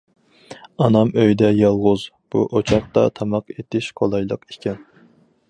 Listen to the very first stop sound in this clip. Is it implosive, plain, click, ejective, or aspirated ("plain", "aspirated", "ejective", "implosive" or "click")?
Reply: plain